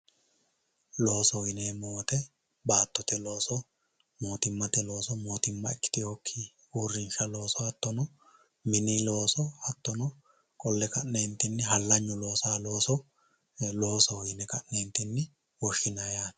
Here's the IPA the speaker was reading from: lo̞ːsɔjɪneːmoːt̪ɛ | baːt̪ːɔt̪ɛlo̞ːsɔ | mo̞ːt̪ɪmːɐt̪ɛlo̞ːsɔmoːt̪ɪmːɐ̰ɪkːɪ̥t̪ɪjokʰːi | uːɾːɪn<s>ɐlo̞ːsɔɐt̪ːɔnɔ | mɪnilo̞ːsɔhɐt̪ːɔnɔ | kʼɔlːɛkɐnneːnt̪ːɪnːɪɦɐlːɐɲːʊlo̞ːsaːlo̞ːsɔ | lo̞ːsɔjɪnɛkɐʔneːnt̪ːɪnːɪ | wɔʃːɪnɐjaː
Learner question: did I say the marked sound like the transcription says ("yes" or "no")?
no